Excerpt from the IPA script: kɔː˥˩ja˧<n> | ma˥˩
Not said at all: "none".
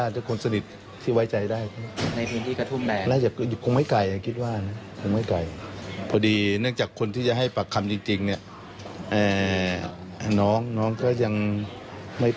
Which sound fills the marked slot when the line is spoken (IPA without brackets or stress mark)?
ŋ